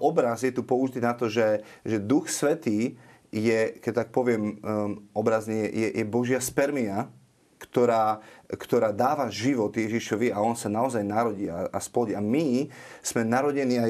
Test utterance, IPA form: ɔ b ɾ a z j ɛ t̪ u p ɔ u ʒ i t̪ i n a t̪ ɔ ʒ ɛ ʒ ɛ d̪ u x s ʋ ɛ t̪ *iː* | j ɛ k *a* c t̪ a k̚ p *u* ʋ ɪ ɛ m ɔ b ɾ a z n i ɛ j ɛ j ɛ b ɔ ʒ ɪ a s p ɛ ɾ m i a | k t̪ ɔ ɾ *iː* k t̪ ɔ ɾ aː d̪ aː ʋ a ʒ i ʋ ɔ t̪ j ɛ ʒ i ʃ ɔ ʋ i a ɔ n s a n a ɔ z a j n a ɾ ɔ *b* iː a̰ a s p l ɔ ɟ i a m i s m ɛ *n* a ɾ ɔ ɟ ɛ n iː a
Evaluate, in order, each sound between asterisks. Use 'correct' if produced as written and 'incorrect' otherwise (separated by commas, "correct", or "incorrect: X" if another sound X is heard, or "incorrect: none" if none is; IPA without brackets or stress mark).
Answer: correct, incorrect: ɛ, incorrect: ɔ, incorrect: aː, incorrect: ɟ, correct